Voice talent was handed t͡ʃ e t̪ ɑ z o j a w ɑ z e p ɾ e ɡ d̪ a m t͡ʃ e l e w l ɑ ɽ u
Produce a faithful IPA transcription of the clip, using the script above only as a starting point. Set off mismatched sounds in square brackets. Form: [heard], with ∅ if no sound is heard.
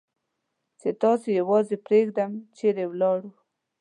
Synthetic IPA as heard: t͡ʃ e t̪ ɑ [s] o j a w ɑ z e p ɾ e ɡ d̪ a m t͡ʃ e [ɾ] e w l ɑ ɽ u

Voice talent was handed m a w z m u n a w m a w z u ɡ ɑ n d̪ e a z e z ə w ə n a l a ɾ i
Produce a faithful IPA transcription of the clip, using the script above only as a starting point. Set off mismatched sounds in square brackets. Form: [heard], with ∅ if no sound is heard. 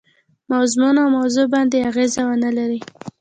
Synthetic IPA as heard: m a w z m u n a w m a w z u [b] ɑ n d̪ e a [ɣ] e z [a] w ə n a l a ɾ i

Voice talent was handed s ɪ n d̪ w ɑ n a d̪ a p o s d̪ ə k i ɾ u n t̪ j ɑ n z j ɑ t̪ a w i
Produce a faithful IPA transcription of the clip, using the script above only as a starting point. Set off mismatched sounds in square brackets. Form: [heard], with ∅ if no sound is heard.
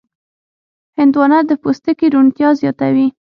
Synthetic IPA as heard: [h] ɪ n d̪ w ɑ n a d̪ [ə] p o s [t̪] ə k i ɾ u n t̪ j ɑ [∅] z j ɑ t̪ a w i

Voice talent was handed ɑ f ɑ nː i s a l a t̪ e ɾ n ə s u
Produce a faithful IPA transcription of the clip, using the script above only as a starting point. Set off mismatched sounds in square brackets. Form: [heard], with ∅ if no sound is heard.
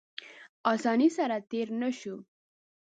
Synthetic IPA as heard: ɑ [s] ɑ [n] i s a [ɾ] a t̪ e ɾ n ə [ʃ] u

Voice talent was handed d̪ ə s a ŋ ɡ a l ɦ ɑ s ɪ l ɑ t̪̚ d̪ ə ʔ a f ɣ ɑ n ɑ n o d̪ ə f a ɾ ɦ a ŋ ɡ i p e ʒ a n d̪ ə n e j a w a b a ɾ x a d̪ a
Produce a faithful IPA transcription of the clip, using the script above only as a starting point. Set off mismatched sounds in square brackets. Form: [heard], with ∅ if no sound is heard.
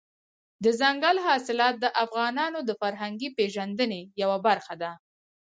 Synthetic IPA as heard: d̪ ə [z] a ŋ ɡ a l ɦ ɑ s ɪ l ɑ t̪̚ d̪ ə ʔ a f ɣ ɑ n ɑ n o d̪ ə f a ɾ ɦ a ŋ ɡ i p e ʒ a n d̪ ə n e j a w a b a ɾ x a d̪ a

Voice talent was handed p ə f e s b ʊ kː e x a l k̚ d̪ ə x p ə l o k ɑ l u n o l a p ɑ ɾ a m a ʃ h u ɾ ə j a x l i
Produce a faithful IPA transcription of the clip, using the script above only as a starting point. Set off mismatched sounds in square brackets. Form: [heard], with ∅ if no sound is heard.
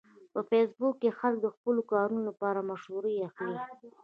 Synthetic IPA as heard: p ə f e s b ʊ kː e x a l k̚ d̪ ə x p ə l o k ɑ [ɾ] u n o l a p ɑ ɾ a m a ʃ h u ɾ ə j a x l i

